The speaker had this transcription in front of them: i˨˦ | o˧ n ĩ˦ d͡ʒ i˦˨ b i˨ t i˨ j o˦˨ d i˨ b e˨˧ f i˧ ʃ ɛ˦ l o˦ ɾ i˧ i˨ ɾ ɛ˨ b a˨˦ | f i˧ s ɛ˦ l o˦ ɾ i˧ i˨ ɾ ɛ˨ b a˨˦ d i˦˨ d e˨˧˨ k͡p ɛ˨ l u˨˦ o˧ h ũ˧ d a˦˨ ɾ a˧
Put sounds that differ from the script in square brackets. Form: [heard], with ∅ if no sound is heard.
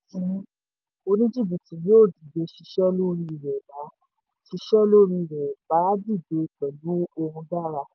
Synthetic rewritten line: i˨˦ | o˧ n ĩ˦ d͡ʒ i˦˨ b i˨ t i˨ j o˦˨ d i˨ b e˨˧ [ʃ] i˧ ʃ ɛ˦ l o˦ ɾ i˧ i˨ ɾ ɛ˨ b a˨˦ | [ʃ] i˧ [ʃ] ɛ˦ l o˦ ɾ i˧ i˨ ɾ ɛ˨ b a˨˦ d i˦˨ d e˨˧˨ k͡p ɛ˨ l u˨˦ o˧ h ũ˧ d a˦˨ ɾ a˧